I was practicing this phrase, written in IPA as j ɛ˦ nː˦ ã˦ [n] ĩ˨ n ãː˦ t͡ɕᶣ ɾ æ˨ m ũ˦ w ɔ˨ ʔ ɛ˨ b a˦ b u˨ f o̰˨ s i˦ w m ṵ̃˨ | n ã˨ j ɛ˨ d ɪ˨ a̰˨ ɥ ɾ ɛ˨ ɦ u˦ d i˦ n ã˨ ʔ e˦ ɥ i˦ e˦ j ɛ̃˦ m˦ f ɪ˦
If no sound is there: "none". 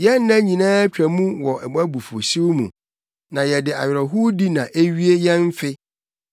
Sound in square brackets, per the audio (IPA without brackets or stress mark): ɲ